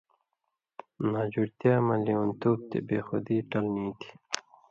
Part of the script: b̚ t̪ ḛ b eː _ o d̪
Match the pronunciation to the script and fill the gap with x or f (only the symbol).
x